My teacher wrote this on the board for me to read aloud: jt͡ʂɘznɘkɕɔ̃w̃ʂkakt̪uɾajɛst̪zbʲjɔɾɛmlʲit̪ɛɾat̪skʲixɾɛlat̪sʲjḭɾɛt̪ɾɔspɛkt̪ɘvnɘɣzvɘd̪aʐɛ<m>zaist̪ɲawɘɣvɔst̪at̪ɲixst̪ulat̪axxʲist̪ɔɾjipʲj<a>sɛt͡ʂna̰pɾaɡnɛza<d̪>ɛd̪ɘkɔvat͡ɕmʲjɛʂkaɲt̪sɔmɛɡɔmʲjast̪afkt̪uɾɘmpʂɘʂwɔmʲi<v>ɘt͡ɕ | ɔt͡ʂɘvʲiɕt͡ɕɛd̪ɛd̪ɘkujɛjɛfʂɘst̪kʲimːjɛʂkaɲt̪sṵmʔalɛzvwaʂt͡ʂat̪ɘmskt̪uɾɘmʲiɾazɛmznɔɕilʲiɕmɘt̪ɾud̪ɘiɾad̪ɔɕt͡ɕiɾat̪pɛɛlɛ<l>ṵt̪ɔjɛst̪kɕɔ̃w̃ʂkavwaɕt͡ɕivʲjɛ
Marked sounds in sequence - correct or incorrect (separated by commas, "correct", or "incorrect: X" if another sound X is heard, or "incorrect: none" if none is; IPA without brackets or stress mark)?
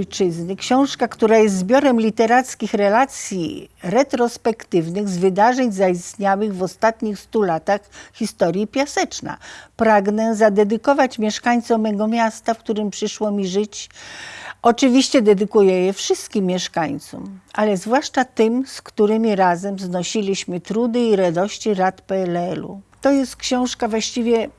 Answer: incorrect: ɲ, correct, correct, incorrect: ʐ, correct